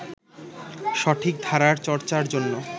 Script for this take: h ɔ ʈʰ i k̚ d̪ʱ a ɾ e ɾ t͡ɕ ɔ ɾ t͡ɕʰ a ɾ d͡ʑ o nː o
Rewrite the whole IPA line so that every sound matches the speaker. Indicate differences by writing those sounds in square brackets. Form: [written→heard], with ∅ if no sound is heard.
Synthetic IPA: [h→ʃ] ɔ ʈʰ i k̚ d̪ʱ a ɾ [e→a] ɾ t͡ɕ ɔ ɾ [t͡ɕʰ→t͡ɕ] a ɾ d͡ʑ o nː o